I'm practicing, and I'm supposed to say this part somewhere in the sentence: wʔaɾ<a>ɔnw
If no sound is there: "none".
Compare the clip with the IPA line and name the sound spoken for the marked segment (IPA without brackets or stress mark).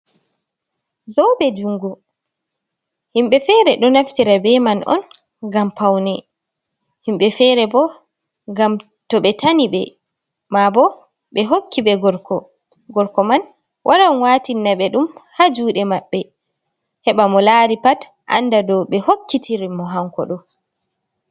a